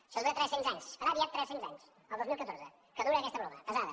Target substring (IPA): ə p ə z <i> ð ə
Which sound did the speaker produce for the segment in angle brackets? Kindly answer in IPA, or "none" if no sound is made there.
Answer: a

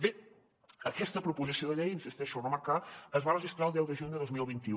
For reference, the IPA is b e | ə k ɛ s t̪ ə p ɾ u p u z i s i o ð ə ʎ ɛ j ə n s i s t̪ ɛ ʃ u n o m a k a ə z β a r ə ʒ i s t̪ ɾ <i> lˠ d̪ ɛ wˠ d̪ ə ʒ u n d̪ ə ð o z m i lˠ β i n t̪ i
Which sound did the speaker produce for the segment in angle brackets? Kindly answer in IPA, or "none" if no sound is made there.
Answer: a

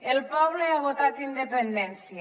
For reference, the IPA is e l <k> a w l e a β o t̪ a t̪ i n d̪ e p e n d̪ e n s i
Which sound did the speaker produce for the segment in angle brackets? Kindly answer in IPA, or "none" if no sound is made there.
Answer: p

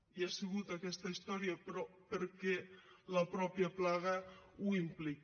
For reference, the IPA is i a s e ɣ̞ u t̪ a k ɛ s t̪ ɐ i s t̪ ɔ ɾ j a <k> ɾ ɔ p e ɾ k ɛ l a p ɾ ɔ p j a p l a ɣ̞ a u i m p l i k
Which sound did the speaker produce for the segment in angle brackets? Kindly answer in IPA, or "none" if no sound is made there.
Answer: p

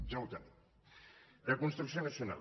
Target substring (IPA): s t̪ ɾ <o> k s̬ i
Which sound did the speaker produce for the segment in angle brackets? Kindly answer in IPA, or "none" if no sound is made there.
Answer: u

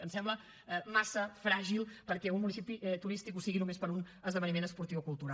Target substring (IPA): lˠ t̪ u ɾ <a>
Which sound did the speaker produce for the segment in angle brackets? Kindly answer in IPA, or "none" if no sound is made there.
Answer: a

